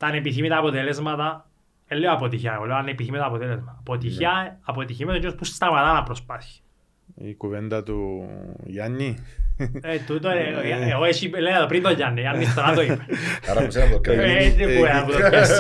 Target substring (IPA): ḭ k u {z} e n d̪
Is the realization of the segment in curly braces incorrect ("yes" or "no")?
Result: yes